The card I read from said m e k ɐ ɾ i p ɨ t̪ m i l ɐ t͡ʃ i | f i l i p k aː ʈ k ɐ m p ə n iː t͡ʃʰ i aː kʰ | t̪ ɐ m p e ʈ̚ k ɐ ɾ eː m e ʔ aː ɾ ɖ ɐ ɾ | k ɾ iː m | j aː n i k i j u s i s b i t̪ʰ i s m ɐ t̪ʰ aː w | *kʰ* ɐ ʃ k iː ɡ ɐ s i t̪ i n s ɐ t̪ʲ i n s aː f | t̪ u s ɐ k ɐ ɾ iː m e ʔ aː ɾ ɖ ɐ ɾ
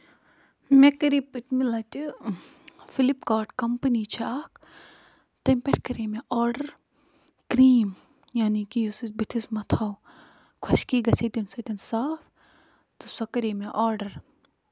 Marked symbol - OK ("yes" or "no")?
yes